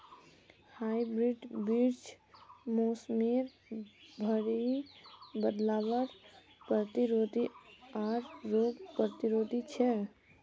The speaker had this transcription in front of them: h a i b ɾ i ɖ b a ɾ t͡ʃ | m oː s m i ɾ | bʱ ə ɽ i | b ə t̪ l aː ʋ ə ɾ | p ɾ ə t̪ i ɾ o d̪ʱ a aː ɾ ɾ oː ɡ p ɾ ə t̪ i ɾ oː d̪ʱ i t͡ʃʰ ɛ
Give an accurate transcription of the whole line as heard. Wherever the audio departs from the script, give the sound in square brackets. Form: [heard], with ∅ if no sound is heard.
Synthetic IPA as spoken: h a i b ɾ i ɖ b [i] ɾ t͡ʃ | m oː s m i ɾ | bʱ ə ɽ i | b ə [d̪] l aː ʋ ə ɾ | p ɾ ə t̪ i ɾ o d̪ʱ [i] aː ɾ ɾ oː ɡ p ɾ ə t̪ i ɾ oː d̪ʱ i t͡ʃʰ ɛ